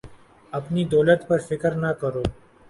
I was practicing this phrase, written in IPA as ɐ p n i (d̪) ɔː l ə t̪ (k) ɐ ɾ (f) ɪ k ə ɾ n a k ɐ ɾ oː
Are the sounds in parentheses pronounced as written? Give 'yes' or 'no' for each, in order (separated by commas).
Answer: yes, no, yes